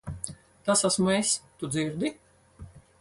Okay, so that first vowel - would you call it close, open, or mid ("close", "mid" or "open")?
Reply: open